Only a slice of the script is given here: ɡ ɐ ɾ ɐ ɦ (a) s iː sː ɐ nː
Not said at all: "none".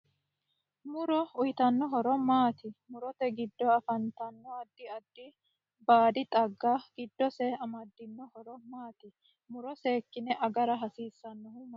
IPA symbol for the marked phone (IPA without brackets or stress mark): ɐ